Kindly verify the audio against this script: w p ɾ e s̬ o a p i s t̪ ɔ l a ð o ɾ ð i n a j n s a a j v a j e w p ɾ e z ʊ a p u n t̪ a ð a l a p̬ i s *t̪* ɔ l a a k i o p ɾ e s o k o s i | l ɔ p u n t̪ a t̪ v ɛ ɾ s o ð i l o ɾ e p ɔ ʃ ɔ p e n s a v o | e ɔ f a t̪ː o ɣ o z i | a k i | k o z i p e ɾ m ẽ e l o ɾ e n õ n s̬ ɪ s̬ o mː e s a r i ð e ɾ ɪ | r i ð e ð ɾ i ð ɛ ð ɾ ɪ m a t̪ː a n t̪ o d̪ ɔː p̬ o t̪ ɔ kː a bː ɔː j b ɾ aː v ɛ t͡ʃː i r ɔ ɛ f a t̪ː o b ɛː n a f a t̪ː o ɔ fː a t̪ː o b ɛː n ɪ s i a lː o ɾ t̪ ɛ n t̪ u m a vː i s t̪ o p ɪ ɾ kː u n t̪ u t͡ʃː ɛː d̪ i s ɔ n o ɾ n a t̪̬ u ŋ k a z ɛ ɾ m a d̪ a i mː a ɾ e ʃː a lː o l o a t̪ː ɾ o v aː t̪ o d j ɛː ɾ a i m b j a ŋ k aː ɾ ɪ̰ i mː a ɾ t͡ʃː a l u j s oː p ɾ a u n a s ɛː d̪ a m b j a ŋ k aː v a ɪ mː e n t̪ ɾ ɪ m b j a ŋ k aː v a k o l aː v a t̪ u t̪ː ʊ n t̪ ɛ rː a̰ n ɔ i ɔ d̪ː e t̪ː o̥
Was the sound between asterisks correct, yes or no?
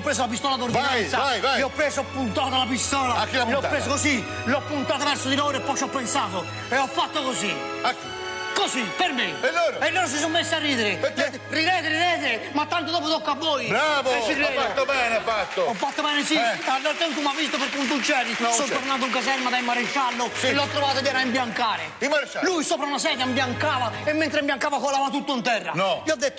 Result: yes